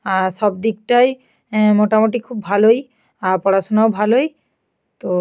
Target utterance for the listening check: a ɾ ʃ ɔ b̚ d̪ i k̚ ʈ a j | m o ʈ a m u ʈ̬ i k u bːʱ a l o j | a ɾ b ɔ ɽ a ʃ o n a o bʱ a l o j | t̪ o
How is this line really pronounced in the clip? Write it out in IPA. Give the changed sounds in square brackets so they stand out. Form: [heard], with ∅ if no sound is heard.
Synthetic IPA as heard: a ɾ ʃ ɔ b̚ d̪ i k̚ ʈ a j | m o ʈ a m [o] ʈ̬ i [kʰ] u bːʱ a l o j | a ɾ [p] ɔ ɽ a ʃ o n a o bʱ a l o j | t̪ o